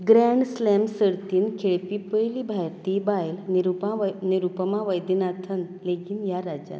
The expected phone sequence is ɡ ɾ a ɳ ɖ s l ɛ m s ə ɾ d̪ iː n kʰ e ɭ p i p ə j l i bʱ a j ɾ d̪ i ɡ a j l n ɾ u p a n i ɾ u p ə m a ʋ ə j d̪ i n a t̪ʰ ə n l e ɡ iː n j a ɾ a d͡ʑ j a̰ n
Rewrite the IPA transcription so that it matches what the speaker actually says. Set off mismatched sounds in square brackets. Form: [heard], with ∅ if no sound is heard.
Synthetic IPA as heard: ɡ ɾ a ɳ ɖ s l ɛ m s ə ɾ [t̪] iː n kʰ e ɭ p i p ə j l i bʱ a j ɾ [t̪] i [b] a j l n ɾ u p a n i ɾ u p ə m a ʋ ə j d̪ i n a t̪ʰ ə n l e ɡ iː n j a ɾ a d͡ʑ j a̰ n